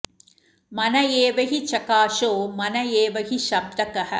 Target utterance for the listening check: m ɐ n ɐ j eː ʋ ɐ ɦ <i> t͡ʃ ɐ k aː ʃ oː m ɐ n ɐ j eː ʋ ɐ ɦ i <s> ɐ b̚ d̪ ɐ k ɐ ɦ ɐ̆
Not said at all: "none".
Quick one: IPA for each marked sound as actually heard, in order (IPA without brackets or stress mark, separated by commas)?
i, ʃ